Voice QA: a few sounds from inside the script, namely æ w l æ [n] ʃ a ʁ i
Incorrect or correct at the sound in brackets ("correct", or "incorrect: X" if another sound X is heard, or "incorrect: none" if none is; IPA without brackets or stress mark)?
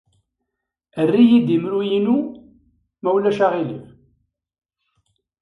incorrect: none